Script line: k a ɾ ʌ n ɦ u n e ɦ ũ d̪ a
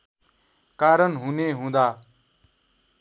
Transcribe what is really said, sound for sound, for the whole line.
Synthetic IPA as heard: k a ɾ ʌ n ɦ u n e ɦ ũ d̪ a